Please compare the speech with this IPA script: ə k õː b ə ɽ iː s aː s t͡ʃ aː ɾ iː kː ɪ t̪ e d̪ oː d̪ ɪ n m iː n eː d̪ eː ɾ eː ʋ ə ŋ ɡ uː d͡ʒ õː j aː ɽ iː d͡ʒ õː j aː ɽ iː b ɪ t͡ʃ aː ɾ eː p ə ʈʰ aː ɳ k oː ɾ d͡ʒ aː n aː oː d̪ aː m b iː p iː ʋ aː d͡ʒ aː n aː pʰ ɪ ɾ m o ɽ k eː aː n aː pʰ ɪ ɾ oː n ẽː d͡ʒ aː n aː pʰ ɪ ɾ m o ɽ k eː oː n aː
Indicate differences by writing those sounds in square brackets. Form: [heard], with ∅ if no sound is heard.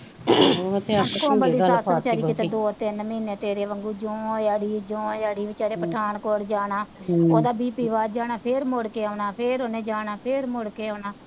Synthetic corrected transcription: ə k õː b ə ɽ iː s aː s t͡ʃ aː ɾ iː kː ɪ t̪ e d̪ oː [t̪] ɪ n m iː n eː [t̪] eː ɾ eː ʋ ə ŋ ɡ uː d͡ʒ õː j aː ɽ iː d͡ʒ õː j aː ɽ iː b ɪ t͡ʃ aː ɾ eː p ə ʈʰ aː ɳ k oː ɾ d͡ʒ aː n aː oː d̪ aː [∅] b iː p iː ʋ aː d͡ʒ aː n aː pʰ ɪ ɾ m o ɽ k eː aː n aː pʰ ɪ ɾ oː n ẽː d͡ʒ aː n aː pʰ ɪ ɾ m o ɽ k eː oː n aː